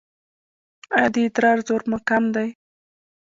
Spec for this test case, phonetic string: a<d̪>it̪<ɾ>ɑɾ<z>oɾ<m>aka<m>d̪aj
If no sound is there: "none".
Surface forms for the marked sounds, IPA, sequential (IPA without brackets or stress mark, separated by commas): d̪, ɾ, z, m, m